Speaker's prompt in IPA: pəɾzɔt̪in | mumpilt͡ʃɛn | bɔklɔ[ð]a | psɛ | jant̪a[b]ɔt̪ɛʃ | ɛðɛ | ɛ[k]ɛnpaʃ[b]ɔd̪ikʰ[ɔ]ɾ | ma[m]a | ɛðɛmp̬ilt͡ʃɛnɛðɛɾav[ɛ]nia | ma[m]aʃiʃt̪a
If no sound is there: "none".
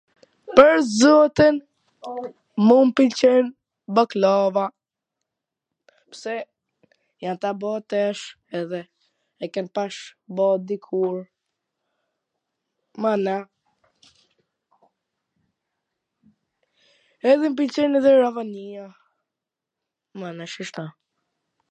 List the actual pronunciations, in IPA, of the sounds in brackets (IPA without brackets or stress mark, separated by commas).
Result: v, b, k, b, u, n, a, n